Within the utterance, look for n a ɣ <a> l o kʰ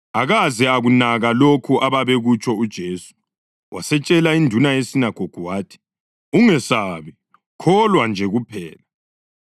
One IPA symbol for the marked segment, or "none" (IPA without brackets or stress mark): a